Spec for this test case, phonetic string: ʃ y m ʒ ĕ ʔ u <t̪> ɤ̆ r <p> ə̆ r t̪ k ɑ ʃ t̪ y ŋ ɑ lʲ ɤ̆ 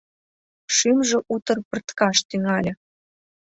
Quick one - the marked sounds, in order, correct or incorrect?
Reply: correct, correct

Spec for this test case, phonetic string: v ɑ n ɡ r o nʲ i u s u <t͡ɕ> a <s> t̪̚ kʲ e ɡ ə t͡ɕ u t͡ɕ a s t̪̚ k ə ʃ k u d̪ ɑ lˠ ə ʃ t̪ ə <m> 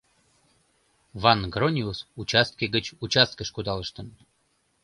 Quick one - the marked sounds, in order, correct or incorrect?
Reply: correct, correct, incorrect: n

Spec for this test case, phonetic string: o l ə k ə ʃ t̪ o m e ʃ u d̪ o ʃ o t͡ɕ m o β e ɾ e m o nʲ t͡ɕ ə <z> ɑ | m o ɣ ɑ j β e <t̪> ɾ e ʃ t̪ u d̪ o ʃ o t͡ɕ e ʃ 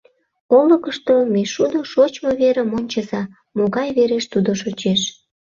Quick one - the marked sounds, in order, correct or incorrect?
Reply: correct, incorrect: none

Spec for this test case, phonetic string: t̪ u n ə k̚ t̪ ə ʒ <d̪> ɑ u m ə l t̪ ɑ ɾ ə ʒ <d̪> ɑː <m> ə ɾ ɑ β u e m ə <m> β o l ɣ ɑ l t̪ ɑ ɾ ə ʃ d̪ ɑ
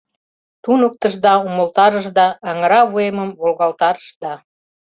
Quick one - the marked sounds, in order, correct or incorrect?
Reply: correct, correct, incorrect: ŋ, correct

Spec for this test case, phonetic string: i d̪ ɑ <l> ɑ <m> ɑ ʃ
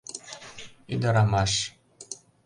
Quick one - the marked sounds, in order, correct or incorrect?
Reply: incorrect: ɾ, correct

